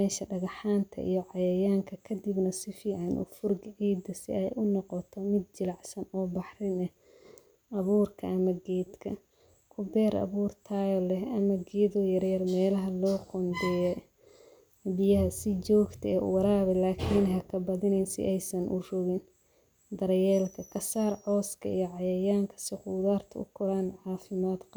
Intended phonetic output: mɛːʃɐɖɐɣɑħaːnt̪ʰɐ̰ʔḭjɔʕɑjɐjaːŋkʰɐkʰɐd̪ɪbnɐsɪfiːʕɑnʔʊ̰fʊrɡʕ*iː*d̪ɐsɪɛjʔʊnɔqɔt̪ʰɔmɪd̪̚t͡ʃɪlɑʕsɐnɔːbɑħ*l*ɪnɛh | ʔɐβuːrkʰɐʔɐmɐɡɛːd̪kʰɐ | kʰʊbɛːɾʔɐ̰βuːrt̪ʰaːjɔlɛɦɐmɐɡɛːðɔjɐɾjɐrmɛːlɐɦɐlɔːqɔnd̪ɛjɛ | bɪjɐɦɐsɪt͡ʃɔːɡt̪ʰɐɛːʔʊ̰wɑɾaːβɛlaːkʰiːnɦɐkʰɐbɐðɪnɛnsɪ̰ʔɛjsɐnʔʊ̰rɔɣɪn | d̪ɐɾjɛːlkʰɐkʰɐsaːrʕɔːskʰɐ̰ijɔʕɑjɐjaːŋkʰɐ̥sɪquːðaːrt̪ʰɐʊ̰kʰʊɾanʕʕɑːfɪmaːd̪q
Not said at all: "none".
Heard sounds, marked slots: iː, r

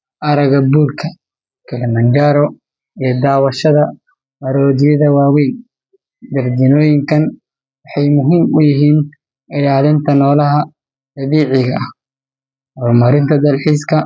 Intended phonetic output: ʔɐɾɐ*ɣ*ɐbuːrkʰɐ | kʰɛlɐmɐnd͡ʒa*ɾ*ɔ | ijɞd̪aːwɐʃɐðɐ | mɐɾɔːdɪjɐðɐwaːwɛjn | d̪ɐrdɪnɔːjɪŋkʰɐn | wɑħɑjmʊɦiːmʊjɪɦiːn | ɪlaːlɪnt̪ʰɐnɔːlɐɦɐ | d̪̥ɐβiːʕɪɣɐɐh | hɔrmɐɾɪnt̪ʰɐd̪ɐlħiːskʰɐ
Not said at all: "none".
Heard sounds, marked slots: ɣ, ɾ

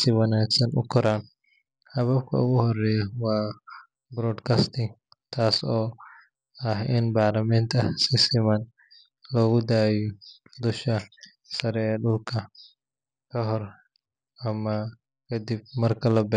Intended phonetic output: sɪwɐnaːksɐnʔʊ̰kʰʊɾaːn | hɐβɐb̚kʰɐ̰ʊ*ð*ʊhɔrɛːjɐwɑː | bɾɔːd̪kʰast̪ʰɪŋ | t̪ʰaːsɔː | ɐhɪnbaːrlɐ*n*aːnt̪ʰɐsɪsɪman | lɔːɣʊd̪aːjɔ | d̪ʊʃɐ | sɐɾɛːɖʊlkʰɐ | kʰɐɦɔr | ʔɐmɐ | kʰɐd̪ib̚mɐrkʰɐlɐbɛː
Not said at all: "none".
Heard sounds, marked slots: ɣ, m

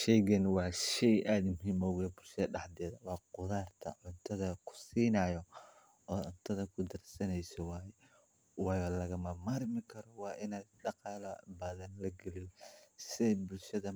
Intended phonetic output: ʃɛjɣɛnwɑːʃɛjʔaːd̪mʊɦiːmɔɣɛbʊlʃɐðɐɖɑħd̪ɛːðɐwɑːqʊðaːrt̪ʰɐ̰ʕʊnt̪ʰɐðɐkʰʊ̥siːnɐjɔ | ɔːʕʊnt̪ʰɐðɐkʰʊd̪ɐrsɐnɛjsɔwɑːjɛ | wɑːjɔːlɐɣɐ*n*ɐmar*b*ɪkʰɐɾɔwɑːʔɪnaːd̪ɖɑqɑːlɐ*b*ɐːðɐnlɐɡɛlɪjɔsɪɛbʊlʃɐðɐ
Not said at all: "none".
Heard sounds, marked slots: m, m, b

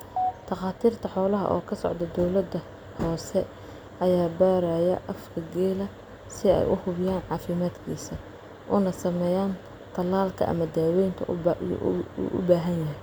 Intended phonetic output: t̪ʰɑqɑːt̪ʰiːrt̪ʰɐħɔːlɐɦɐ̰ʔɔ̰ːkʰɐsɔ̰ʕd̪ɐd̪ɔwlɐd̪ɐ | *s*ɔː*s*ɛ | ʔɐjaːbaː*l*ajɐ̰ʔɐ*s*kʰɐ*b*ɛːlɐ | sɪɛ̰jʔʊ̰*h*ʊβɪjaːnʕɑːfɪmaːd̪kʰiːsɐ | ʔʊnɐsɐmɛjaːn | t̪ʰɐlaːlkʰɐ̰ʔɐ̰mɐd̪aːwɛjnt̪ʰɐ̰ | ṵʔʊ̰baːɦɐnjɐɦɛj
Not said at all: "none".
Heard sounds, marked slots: h, s, ɾ, f, ɡ, h

